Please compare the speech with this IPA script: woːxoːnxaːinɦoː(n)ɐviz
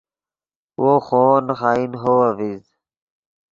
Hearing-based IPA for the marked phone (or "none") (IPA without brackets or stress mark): none